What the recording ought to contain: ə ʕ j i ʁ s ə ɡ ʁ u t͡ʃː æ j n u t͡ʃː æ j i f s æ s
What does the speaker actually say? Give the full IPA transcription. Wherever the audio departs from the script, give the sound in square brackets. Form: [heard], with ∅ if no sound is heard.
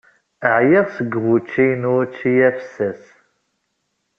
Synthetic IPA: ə ʕ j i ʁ s ə ɡ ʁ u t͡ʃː [i] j n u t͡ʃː [i] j [æ] f s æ s